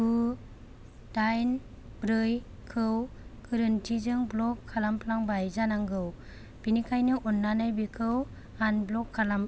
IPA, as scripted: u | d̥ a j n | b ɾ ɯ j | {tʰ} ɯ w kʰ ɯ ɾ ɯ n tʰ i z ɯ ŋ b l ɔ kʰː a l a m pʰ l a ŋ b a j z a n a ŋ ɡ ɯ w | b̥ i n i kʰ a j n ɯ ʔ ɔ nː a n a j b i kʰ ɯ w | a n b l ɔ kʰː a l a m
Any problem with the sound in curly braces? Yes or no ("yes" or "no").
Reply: yes